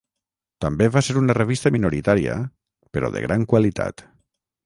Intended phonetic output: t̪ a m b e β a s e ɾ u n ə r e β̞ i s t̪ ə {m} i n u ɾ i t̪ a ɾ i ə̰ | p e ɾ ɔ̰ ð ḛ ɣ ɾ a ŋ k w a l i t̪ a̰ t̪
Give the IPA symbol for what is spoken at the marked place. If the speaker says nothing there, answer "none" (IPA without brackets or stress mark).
m